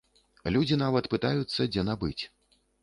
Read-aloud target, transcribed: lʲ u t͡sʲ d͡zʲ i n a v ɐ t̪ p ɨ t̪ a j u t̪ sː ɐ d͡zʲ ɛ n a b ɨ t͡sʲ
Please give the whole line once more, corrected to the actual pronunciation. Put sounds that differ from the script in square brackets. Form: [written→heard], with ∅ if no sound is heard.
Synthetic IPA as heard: lʲ u [t͡sʲ→∅] d͡zʲ i n a v ɐ t̪ p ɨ t̪ a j u t̪ sː ɐ d͡zʲ ɛ n a b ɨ t͡sʲ